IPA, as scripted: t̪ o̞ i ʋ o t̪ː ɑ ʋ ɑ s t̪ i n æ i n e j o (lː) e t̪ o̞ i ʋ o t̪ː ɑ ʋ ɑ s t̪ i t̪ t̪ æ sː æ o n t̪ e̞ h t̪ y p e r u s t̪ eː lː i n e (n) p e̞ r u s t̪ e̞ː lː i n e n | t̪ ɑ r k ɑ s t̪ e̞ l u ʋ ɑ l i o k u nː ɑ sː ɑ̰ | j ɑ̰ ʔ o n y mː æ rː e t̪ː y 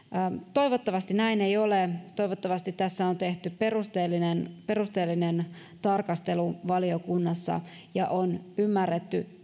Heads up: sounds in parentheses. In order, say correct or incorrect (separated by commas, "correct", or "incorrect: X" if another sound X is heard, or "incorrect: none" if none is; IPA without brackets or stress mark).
incorrect: l, correct